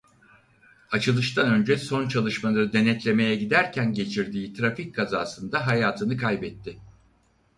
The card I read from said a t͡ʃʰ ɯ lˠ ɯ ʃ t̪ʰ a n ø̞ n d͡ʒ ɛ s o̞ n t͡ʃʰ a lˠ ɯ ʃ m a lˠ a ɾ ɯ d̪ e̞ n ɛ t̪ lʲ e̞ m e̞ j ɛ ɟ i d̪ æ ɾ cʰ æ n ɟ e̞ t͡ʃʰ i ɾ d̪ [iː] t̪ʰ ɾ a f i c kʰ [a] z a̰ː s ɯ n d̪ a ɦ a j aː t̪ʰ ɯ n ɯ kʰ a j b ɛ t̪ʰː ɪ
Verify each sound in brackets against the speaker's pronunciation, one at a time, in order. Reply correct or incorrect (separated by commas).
correct, correct